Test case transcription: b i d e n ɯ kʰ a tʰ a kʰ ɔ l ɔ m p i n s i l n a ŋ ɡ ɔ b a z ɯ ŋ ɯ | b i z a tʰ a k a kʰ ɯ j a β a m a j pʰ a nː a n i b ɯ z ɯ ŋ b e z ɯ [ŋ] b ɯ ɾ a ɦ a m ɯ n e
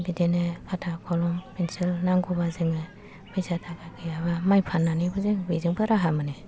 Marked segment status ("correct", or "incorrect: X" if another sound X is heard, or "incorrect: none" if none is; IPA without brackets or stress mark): correct